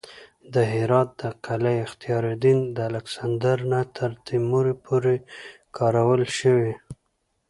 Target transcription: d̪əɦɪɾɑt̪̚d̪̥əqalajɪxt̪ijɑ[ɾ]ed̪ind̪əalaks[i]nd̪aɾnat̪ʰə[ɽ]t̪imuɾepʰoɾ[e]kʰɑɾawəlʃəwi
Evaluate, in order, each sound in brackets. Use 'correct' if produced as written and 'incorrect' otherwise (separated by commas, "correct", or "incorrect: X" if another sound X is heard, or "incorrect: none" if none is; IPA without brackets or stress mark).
correct, incorrect: a, incorrect: ɾ, correct